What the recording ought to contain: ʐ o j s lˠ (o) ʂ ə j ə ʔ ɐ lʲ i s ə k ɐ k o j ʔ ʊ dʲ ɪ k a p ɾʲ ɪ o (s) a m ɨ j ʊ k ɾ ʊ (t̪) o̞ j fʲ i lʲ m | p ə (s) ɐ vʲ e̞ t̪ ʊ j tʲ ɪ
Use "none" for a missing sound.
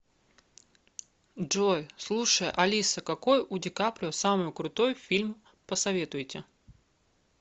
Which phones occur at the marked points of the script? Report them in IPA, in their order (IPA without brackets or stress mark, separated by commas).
u, s, t̪, s